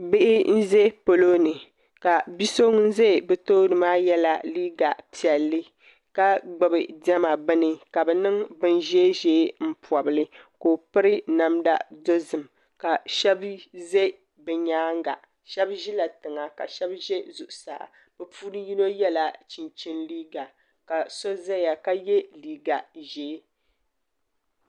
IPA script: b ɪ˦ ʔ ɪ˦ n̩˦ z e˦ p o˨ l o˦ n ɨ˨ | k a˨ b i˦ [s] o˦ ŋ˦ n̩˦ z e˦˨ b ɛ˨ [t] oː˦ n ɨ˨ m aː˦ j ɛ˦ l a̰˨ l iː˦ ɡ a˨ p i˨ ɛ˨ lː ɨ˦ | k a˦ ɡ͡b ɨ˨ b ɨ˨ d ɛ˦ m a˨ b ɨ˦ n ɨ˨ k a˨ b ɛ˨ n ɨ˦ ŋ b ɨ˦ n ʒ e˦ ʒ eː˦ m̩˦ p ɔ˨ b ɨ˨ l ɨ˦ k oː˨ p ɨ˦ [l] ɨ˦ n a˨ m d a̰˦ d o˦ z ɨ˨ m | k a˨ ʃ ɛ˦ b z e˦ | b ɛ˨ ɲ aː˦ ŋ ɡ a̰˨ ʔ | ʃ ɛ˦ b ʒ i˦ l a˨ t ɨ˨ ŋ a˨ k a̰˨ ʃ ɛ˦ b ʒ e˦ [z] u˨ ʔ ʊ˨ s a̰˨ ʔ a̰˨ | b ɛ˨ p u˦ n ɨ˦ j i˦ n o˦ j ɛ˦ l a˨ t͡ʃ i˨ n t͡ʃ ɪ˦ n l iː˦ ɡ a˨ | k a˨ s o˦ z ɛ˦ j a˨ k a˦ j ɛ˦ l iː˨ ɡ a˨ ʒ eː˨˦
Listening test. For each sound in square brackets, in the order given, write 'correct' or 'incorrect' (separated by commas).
correct, correct, incorrect, correct